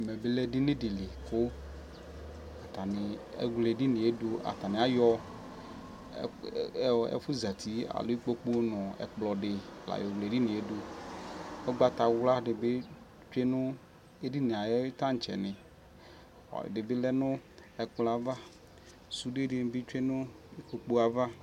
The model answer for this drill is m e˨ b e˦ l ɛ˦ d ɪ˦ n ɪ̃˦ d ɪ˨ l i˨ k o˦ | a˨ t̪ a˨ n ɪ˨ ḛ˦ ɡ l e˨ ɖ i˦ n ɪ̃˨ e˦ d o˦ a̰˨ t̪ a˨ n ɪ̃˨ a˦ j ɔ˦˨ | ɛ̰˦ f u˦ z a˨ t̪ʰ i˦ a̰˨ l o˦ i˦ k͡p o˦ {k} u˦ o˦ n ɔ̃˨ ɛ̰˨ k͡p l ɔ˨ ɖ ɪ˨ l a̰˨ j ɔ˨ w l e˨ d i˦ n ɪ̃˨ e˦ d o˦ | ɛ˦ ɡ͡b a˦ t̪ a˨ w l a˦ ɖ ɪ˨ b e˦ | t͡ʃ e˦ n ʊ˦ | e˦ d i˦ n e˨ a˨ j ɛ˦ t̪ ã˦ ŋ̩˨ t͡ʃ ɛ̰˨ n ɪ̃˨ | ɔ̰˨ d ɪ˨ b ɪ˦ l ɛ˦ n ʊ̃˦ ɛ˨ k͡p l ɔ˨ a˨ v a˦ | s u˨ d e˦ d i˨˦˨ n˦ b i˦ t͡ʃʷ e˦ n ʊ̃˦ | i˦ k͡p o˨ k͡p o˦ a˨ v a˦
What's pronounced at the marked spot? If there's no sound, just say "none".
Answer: k͡p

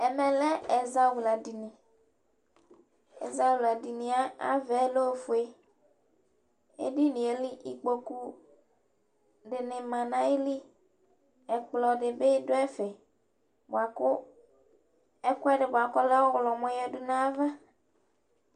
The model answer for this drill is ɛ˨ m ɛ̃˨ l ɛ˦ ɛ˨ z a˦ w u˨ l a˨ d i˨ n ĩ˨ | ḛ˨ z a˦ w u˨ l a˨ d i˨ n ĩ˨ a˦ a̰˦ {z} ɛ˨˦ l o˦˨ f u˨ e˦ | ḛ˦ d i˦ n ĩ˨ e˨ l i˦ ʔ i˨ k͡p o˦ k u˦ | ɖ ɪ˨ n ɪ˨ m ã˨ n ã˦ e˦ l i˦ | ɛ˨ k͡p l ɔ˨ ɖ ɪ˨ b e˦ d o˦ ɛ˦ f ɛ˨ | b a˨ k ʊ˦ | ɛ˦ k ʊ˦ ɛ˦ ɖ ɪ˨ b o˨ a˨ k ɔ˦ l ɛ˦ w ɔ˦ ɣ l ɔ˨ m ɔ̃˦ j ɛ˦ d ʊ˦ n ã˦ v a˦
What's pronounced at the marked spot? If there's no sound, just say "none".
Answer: v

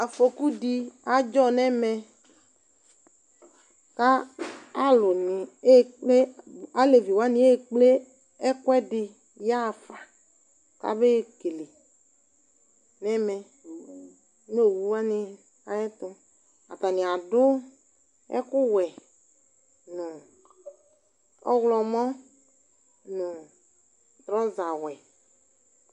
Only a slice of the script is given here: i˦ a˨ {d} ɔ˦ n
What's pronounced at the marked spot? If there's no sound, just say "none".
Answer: d͡ʒ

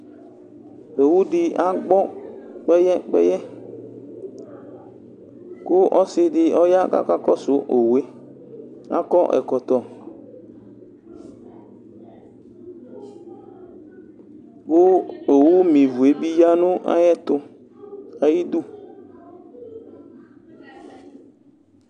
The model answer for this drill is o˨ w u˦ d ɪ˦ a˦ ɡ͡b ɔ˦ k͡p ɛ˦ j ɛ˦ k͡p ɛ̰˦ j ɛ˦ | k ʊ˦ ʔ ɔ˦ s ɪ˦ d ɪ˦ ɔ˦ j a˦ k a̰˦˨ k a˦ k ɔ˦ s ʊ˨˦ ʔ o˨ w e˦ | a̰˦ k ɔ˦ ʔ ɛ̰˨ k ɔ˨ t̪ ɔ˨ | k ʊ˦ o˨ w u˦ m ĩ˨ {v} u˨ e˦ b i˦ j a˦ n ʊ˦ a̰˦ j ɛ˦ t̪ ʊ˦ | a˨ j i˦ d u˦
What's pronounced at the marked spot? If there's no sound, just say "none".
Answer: v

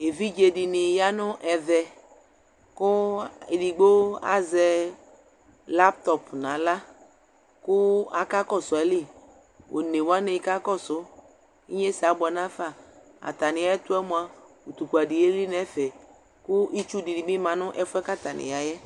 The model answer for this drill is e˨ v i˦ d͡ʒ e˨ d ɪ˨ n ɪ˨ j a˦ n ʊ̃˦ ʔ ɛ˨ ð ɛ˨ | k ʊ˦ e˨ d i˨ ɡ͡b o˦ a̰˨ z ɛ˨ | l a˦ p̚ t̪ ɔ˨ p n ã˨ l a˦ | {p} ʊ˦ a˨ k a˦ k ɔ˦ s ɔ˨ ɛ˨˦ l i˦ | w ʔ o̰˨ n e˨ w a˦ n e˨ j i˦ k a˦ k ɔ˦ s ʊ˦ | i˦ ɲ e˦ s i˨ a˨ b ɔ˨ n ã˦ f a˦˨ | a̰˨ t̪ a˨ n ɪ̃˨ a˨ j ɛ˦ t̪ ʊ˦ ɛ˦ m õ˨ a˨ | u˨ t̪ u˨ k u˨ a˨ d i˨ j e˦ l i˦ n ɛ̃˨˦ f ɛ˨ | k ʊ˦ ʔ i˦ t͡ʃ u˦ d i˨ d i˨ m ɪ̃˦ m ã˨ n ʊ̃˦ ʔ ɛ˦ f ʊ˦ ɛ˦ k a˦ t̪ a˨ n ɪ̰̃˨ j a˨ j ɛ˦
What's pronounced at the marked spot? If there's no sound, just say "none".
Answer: k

